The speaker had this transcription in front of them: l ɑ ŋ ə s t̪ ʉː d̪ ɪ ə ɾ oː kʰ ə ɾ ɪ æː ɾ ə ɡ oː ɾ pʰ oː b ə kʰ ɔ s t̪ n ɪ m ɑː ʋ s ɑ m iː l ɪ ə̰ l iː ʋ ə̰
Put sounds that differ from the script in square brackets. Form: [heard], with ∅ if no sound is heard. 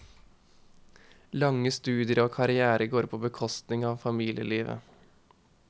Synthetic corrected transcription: l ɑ ŋ ə s t̪ ʉː d̪ ɪ ə ɾ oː kʰ [ɑ] ɾ ɪ æː ɾ ə ɡ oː ɾ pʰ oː b ə kʰ ɔ s t̪ n ɪ [ŋ] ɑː ʋ [f] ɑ m iː l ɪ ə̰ l iː ʋ ə̰